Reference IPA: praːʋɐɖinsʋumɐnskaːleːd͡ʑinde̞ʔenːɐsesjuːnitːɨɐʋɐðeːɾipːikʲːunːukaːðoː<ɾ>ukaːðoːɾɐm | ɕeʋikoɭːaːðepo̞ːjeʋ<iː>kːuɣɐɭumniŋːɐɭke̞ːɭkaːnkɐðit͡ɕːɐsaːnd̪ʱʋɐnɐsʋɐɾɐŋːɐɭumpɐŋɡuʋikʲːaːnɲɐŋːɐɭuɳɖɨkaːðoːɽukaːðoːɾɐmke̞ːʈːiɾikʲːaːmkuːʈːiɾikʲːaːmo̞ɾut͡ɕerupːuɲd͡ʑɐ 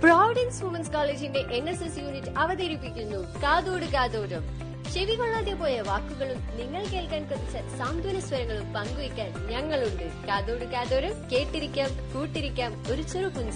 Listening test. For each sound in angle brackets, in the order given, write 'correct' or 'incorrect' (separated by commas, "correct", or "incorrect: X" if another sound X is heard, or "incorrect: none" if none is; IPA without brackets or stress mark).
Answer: incorrect: ɽ, incorrect: aː